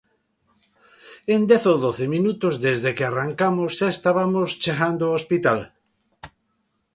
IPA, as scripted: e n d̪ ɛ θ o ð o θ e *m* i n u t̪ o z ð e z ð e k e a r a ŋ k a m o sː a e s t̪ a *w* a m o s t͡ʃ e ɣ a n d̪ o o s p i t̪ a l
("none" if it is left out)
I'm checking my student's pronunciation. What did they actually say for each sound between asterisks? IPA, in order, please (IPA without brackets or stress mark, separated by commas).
m, β